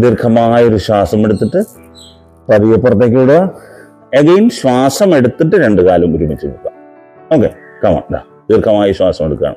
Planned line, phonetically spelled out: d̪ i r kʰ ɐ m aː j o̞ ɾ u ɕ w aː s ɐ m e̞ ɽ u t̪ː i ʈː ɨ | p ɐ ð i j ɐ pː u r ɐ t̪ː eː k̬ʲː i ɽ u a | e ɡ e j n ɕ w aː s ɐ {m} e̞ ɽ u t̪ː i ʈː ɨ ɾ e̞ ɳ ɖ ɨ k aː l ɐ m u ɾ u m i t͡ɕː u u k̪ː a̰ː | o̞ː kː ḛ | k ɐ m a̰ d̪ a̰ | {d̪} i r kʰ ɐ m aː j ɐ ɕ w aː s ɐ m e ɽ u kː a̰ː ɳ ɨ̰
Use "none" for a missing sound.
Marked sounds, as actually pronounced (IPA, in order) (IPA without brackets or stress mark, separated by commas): m, d̪